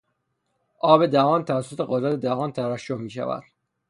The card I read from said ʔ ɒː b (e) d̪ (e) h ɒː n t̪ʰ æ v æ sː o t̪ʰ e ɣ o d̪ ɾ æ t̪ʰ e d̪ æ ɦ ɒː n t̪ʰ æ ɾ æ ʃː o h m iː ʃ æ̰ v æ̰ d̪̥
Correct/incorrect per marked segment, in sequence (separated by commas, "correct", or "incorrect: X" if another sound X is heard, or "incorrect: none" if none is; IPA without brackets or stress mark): correct, incorrect: æ